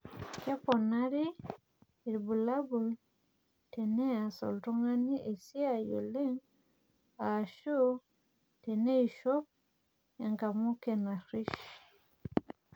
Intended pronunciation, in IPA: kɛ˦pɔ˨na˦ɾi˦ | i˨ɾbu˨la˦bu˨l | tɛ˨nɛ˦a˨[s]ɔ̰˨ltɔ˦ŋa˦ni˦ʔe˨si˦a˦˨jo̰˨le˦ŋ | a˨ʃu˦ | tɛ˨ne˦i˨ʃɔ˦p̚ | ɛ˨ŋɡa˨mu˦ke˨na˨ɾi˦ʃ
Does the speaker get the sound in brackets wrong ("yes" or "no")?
no